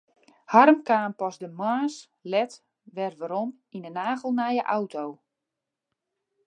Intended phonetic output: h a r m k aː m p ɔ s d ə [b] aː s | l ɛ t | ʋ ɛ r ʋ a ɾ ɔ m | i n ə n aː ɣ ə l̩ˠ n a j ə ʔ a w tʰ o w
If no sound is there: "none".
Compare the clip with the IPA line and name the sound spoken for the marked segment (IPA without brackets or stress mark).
m